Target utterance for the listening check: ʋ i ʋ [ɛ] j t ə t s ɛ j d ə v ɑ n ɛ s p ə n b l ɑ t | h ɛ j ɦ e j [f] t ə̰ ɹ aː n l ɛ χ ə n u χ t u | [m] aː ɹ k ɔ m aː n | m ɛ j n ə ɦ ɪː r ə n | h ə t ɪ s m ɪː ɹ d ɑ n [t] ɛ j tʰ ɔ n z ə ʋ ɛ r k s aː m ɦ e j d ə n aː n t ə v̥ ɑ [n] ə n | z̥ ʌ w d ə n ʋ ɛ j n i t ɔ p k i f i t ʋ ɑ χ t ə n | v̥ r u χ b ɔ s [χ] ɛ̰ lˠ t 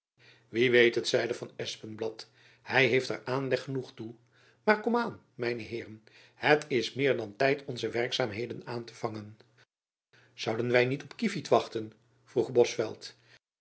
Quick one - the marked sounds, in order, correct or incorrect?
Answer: incorrect: e, correct, correct, correct, incorrect: ŋ, incorrect: f

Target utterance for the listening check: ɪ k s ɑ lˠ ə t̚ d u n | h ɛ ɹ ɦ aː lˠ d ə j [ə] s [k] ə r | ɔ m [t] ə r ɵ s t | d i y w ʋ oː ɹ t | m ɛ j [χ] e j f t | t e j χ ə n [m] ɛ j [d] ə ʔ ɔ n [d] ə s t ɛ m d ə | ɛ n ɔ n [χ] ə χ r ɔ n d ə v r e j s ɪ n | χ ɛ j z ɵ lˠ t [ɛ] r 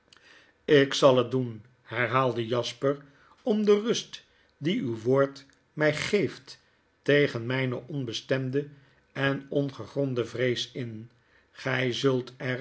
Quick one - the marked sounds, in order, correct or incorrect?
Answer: incorrect: ɑ, incorrect: p, incorrect: d, correct, correct, incorrect: n, incorrect: b, correct, correct

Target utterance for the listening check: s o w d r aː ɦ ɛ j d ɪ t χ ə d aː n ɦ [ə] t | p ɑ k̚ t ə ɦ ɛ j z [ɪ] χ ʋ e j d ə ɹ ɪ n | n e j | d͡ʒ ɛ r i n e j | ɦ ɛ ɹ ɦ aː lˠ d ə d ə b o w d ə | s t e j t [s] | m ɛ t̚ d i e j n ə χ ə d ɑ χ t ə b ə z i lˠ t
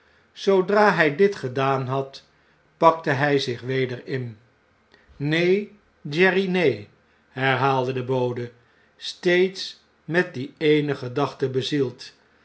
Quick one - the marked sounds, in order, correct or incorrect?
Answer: incorrect: ɑ, correct, correct

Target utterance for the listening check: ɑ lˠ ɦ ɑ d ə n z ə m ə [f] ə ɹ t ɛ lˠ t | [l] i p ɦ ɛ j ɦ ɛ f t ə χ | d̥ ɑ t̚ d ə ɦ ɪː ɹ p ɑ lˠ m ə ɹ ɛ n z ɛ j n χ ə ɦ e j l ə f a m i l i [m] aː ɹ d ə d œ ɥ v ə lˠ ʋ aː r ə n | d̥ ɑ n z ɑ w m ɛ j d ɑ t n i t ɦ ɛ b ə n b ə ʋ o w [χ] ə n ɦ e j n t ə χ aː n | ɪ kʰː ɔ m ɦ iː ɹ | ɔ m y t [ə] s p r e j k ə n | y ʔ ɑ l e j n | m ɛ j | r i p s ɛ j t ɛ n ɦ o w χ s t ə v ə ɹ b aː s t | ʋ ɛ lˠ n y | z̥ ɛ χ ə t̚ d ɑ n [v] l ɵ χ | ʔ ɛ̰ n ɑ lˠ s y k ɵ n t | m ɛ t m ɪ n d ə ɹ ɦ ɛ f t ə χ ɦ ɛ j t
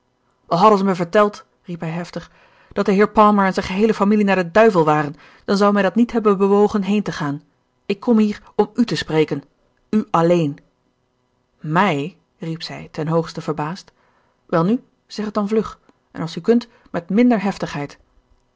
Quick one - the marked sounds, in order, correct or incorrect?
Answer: incorrect: v, incorrect: r, incorrect: n, correct, correct, correct

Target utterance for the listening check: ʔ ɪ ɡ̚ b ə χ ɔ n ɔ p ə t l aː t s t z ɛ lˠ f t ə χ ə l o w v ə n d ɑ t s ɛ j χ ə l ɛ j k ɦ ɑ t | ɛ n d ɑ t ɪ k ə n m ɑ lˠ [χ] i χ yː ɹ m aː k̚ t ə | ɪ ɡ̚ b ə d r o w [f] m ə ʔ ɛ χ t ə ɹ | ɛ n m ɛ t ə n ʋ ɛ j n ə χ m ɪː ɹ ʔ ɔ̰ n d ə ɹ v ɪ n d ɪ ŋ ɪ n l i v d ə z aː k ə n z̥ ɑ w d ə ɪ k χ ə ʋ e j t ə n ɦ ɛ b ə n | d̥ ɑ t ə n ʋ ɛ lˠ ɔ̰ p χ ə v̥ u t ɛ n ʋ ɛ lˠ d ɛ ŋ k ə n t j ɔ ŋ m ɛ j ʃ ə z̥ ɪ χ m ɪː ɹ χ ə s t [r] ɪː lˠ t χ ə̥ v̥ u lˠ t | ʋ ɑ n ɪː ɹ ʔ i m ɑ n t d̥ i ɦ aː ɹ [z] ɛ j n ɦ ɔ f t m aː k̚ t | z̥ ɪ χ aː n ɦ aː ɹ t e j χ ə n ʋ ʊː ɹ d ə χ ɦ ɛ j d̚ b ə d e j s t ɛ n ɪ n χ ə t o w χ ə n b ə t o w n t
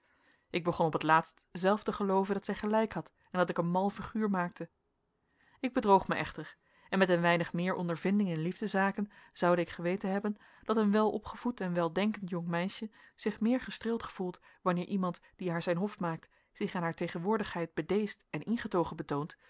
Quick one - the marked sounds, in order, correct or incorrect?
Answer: incorrect: f, incorrect: χ, correct, correct

